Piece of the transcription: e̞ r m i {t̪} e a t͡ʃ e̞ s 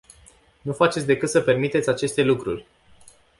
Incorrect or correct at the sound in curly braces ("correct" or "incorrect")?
correct